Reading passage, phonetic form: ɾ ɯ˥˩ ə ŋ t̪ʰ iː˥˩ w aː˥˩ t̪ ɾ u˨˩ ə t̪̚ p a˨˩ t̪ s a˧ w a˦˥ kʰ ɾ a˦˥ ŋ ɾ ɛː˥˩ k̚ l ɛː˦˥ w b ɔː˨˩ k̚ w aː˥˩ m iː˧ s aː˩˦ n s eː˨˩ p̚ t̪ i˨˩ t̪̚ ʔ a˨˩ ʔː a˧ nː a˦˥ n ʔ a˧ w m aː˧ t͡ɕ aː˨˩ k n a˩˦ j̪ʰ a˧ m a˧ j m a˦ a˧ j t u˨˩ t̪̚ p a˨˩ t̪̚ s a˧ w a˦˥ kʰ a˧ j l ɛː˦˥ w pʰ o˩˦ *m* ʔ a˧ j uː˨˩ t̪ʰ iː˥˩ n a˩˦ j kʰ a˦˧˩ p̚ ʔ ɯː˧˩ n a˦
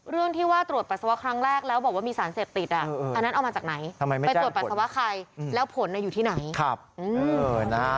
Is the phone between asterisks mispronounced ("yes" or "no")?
yes